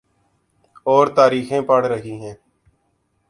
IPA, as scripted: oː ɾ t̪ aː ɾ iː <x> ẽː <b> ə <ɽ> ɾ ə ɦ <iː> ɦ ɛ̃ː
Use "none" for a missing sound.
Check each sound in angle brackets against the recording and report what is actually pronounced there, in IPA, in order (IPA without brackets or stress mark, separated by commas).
x, p, ɽ, iː